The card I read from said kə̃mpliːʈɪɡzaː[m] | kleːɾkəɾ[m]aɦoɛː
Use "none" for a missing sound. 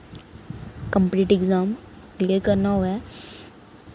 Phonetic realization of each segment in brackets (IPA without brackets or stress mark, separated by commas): m, n